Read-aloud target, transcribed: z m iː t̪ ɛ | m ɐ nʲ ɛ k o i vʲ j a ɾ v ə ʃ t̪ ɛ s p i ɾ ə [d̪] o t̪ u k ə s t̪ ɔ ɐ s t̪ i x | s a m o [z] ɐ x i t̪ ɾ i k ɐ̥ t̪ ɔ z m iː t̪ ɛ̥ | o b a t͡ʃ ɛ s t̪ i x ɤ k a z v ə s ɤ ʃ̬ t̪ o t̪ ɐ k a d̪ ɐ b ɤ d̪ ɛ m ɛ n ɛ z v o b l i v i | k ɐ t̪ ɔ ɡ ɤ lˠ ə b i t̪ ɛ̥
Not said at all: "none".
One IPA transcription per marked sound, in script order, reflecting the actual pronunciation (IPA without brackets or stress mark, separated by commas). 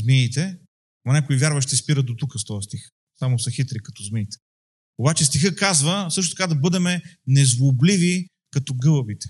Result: d̪, s